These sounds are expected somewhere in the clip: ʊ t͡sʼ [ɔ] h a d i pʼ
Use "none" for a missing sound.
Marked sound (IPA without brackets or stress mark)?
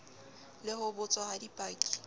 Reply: ɔ